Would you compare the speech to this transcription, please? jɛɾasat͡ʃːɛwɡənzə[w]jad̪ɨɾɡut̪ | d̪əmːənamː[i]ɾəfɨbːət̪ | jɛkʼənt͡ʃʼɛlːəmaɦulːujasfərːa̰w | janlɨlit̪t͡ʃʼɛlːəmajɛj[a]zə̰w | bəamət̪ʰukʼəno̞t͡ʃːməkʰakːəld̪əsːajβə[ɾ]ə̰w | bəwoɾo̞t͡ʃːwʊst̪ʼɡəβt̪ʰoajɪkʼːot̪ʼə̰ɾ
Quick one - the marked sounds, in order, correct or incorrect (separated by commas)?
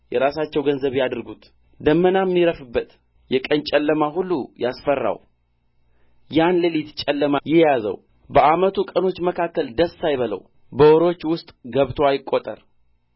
incorrect, correct, correct, incorrect